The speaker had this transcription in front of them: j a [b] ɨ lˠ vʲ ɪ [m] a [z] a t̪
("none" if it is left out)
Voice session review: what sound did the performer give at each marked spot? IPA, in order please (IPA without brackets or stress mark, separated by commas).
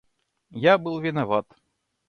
b, n, v